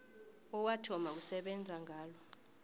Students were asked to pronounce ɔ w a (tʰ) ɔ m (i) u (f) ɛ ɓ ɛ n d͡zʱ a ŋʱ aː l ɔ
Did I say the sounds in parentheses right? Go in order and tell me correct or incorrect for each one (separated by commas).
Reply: correct, incorrect, incorrect